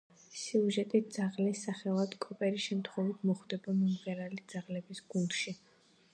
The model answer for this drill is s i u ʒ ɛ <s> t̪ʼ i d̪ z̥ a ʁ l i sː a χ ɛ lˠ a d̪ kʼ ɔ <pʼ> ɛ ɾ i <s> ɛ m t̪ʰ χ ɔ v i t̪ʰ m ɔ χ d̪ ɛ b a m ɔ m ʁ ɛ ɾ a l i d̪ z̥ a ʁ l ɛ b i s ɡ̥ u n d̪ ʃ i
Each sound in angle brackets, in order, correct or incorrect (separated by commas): incorrect, correct, incorrect